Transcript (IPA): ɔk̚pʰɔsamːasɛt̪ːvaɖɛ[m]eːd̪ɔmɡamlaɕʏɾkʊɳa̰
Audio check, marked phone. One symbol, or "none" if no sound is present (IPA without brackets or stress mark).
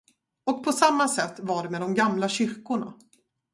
m